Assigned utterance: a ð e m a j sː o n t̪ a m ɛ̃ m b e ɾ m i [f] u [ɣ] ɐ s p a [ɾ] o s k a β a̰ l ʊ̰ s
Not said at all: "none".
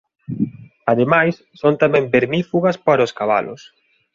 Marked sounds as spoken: f, ɣ, ɾ

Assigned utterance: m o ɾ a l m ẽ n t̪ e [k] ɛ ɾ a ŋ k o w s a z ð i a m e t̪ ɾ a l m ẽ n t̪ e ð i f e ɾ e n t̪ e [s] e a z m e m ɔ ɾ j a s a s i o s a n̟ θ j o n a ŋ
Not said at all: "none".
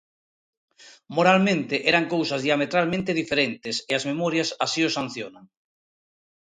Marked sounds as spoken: ʔ, s

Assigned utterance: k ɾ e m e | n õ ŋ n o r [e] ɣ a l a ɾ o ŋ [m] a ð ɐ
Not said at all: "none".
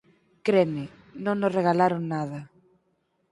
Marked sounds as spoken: e, n

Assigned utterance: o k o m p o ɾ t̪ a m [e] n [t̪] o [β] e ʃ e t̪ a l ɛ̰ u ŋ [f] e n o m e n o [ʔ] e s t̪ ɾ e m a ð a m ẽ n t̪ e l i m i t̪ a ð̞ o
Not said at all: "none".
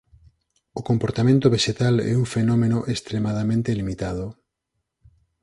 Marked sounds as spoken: ẽ, t̪, β, f, ʔ

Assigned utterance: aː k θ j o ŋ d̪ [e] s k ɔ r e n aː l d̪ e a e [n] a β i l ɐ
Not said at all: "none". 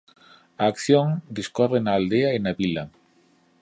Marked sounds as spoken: i, n

